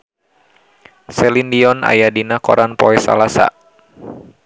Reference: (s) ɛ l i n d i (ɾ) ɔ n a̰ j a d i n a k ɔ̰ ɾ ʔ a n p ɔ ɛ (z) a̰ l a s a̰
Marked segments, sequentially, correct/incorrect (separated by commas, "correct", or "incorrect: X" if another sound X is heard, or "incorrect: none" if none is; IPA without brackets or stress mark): correct, incorrect: none, incorrect: s